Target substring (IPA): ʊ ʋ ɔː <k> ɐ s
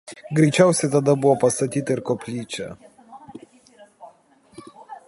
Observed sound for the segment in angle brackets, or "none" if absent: p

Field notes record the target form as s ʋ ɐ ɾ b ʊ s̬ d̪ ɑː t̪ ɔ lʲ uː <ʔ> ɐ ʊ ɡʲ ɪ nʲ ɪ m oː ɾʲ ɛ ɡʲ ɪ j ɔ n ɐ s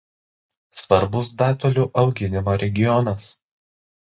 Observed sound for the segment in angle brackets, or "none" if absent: ʔ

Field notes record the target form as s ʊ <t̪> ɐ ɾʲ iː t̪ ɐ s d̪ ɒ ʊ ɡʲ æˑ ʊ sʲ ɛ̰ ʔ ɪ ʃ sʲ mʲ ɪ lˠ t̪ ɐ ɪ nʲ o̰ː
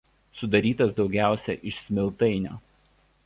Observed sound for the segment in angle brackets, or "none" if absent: d̪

